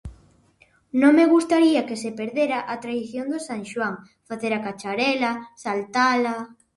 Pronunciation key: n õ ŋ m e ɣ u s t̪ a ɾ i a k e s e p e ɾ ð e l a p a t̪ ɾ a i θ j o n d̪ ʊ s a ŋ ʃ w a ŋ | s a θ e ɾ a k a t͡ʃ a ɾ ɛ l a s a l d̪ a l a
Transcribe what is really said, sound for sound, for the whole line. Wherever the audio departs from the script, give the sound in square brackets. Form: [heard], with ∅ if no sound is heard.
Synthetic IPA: n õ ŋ m e ɣ u s t̪ a ɾ i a k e s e p e ɾ ð e [ɾ] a [ʔ] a t̪ ɾ a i θ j o n d̪ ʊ s a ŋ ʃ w a ŋ | [f] a θ e ɾ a k a t͡ʃ a ɾ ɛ l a s a l [t̪] a l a